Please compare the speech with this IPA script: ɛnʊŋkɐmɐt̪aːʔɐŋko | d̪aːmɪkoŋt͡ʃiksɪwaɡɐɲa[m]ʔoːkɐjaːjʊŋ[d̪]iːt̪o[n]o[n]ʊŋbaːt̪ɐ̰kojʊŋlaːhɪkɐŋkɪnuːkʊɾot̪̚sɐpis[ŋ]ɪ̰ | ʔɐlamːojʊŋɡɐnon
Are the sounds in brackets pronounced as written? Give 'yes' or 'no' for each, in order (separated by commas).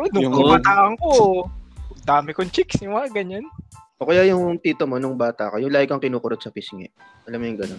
no, no, no, yes, yes